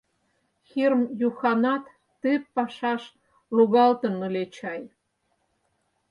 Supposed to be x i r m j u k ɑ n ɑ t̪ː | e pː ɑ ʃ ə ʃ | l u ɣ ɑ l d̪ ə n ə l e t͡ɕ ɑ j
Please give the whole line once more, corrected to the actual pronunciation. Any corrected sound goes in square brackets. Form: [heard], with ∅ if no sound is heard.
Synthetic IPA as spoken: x i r m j u [x] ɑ n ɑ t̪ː | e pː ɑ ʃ [ɑ] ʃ | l u ɣ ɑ l [t̪] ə n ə l e t͡ɕ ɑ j